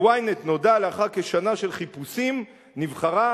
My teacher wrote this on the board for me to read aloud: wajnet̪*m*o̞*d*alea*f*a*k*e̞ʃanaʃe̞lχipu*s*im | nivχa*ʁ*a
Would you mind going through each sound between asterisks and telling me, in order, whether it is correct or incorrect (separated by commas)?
incorrect, correct, incorrect, correct, correct, correct